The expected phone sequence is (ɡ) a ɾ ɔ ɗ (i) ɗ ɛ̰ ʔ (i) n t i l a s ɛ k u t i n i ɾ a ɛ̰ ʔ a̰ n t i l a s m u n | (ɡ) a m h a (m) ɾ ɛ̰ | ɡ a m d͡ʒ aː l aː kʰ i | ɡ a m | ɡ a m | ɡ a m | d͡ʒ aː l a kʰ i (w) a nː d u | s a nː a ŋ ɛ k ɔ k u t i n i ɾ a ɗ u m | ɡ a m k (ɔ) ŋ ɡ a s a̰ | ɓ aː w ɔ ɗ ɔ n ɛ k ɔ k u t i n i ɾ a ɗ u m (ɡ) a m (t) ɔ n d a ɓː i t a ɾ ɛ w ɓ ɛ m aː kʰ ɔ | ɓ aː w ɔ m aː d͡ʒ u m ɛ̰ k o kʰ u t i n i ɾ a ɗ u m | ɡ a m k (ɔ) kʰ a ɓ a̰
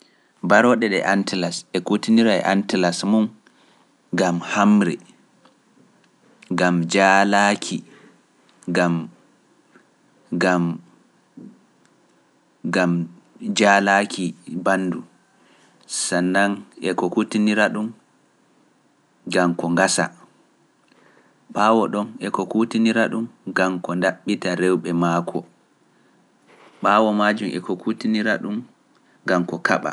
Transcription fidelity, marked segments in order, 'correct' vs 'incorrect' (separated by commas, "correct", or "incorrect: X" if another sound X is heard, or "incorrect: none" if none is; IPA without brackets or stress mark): incorrect: b, incorrect: ɛ, incorrect: a, correct, correct, incorrect: b, correct, correct, incorrect: k, correct